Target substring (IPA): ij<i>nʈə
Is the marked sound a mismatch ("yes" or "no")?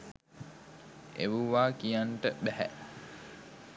yes